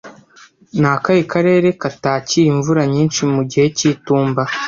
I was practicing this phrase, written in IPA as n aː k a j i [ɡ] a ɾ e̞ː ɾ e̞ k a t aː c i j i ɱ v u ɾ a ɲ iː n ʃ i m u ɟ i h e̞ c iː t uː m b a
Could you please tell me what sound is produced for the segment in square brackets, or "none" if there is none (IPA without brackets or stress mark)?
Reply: k